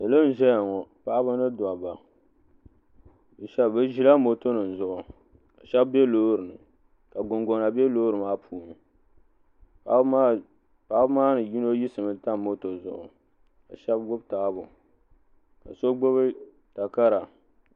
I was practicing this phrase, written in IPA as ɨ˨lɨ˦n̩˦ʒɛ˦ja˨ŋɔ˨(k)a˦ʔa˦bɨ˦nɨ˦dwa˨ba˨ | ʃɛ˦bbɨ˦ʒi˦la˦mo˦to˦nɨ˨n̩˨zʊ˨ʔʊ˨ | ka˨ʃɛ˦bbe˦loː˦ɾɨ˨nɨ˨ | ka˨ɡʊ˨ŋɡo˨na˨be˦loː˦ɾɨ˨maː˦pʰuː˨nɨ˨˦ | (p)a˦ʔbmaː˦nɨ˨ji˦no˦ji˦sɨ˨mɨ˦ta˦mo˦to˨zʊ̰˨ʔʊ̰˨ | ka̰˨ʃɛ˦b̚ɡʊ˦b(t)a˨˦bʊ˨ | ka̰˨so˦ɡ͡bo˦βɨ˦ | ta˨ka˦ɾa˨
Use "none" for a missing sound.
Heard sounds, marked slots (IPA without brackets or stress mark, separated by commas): p, p, t